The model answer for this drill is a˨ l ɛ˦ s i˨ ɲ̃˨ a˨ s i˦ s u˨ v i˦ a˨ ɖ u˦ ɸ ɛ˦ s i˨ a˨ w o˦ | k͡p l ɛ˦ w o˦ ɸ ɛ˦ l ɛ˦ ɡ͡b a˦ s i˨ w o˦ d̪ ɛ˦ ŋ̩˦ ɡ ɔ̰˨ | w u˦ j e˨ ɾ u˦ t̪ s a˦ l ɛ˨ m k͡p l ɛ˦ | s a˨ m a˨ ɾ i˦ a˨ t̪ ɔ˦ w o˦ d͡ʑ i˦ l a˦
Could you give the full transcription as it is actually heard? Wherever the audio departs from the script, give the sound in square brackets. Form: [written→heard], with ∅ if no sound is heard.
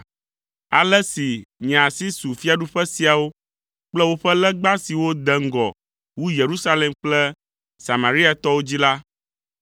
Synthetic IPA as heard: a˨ l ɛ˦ s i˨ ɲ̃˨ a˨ s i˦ s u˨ [v→f] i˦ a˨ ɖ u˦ ɸ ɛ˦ s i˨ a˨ w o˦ | k͡p l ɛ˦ w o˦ ɸ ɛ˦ l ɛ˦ ɡ͡b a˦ s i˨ w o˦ d̪ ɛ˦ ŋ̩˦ ɡ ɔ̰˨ | w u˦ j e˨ ɾ u˦ [t̪→∅] s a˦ l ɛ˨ m k͡p l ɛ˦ | s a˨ m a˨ ɾ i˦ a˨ t̪ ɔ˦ w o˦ d͡ʑ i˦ l a˦